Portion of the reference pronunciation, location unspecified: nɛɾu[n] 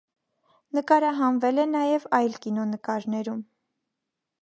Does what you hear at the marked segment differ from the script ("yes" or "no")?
yes